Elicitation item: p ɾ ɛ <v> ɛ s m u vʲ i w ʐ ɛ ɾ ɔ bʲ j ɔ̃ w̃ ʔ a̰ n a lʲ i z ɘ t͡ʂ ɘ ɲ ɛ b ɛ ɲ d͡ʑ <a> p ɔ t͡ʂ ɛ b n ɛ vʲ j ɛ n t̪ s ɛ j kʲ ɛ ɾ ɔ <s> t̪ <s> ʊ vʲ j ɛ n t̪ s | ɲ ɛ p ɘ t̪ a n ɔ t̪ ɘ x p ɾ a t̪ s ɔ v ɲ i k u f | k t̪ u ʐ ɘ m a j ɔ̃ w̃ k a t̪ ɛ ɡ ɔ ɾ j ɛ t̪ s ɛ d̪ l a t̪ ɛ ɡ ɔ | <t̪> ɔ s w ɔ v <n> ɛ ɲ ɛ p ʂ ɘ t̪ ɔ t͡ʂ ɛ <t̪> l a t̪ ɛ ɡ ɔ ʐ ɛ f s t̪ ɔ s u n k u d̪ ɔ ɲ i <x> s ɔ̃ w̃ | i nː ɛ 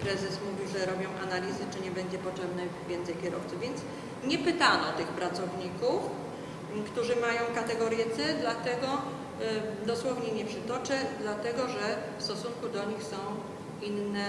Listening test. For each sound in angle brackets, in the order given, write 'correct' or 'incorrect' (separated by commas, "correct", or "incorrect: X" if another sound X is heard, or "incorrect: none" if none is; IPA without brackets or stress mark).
incorrect: z, incorrect: ɛ, incorrect: f, correct, incorrect: d̪, incorrect: ɲ, incorrect: d̪, correct